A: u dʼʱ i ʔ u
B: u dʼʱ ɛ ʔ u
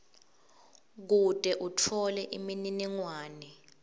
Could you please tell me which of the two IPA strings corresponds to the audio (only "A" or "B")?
B